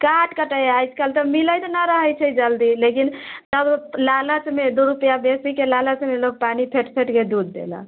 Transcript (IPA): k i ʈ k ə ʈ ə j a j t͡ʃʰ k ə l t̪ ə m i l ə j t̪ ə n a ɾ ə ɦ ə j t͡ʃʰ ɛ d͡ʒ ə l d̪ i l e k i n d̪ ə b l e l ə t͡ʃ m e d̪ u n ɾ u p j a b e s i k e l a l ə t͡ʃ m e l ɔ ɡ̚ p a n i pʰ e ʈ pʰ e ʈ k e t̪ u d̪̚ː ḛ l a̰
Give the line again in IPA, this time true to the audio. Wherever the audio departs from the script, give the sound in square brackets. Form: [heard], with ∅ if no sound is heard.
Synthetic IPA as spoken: k [a] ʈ k ə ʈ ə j a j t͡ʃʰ k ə l t̪ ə m i l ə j t̪ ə n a ɾ ə ɦ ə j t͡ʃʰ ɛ d͡ʒ ə l d̪ i l e k i n [t̪] ə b l [a] l ə t͡ʃ m e d̪ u [∅] ɾ u p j a b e s i k e l a l ə t͡ʃ m e l [o] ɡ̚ p a n i pʰ e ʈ pʰ e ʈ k e [d̪] u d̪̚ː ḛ l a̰